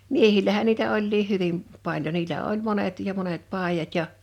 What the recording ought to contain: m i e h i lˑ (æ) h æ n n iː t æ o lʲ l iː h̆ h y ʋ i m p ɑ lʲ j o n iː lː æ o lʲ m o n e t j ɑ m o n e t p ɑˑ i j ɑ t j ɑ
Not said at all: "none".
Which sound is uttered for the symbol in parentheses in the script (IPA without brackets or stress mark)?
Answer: æ